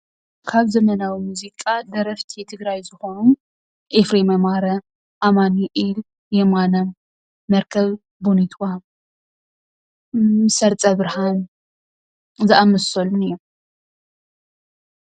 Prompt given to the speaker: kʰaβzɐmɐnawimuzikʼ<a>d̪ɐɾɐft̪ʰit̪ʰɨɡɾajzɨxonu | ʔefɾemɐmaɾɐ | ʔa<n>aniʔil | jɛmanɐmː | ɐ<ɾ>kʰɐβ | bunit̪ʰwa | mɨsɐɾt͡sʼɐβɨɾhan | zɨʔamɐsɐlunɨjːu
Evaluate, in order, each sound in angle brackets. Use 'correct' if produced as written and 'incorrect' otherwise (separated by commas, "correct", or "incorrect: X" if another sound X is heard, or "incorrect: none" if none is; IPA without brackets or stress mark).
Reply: correct, incorrect: m, correct